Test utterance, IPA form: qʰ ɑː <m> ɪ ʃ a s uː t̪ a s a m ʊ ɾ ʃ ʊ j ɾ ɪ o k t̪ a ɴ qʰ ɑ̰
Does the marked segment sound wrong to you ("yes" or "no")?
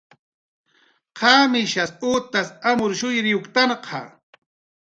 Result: no